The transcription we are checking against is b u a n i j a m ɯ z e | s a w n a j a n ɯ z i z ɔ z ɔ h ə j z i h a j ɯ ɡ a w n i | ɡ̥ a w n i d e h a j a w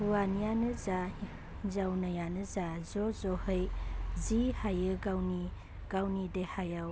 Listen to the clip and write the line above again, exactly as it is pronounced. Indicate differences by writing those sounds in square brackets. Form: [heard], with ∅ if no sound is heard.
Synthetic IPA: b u a n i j a [n] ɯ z [a] | [z] a w n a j a n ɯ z [a] z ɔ z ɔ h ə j z i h a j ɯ ɡ a w n i | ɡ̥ a w n i d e h a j a w